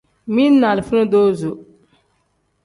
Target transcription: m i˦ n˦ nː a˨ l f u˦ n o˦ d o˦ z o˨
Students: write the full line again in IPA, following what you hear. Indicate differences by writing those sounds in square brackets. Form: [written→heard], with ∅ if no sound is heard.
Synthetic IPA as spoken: m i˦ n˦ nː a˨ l f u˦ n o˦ d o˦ z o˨